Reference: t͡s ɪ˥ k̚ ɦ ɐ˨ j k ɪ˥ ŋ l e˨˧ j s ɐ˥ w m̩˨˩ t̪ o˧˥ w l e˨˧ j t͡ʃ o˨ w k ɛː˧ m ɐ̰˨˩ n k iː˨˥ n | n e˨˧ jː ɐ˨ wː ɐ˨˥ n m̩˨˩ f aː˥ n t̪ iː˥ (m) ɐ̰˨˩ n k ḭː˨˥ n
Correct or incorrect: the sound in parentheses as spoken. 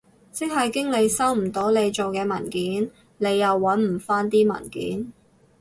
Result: correct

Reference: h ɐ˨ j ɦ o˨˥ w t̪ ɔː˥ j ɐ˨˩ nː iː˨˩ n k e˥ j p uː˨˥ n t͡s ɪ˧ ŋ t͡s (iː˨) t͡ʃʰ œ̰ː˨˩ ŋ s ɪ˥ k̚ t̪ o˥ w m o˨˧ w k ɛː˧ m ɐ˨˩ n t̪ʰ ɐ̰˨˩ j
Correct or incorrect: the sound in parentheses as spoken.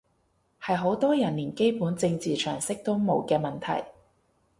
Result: correct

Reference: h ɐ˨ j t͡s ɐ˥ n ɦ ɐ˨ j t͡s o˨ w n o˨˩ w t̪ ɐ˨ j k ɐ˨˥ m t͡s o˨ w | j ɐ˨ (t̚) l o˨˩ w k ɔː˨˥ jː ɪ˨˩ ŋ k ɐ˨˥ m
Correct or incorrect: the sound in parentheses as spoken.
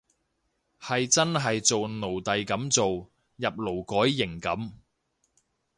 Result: incorrect: p̚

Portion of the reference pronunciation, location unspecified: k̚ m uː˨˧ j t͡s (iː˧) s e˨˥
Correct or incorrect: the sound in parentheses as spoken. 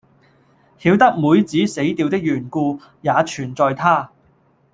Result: incorrect: iː˨˥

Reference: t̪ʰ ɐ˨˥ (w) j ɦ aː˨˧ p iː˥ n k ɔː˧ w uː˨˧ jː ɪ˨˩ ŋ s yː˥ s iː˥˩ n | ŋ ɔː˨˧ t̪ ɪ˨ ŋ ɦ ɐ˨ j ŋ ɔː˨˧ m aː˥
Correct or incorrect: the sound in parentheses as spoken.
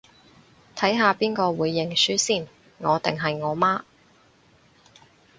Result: incorrect: none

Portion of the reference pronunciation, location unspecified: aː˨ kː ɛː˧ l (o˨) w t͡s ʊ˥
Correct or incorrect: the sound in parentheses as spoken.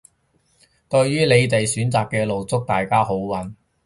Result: correct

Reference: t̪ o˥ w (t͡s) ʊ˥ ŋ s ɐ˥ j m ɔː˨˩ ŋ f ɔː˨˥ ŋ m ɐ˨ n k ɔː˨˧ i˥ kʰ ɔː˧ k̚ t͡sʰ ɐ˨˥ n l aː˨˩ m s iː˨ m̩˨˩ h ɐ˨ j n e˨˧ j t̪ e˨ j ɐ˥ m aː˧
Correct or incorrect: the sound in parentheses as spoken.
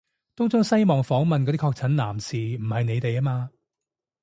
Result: correct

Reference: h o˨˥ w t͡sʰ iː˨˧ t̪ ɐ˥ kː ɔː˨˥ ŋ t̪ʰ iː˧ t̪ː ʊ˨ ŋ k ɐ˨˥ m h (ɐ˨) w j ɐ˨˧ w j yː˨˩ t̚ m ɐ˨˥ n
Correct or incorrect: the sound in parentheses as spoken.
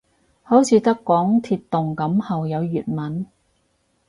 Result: correct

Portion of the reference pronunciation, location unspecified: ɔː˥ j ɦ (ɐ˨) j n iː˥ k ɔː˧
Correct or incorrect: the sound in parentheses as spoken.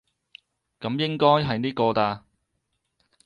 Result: correct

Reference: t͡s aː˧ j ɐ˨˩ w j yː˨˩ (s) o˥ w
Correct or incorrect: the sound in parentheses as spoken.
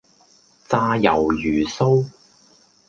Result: correct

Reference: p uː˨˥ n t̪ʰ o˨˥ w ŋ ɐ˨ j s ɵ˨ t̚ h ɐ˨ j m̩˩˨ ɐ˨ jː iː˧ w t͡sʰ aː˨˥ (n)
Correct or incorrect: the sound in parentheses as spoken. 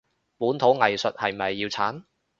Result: correct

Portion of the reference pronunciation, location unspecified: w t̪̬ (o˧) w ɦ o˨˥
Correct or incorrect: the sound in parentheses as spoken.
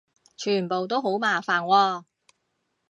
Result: incorrect: o˥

